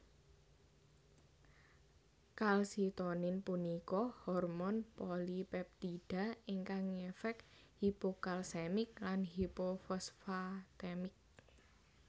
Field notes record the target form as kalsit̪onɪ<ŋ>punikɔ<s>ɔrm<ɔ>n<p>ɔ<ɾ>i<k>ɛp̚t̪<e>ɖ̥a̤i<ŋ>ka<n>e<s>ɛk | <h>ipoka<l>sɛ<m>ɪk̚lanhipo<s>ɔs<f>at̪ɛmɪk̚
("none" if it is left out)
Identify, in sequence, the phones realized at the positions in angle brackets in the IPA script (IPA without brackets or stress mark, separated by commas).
n, h, ɔ, p, l, p, i, ŋ, ŋ, f, h, l, m, f, f